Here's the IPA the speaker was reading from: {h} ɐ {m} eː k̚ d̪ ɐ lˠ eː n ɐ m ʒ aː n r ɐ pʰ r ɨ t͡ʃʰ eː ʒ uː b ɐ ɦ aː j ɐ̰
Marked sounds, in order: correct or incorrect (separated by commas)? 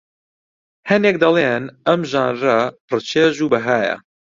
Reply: correct, incorrect